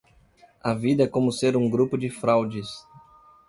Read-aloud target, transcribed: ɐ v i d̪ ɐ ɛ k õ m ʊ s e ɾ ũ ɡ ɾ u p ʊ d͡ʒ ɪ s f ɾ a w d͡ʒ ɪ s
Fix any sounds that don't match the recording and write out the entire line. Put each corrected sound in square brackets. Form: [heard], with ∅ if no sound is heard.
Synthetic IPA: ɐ v i d̪ ɐ ɛ k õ m ʊ s e ɾ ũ ɡ ɾ u p ʊ d͡ʒ ɪ [∅] f ɾ a w d͡ʒ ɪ s